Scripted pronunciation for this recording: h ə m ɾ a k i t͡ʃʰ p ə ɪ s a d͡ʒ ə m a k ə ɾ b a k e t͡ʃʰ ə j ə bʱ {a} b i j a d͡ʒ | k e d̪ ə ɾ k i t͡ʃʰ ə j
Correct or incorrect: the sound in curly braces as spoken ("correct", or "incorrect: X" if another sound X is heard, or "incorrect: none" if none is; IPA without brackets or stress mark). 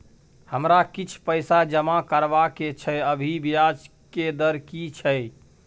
incorrect: i